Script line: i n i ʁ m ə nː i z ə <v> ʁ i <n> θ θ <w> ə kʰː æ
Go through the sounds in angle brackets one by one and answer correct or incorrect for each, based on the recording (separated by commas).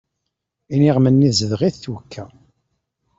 incorrect, incorrect, correct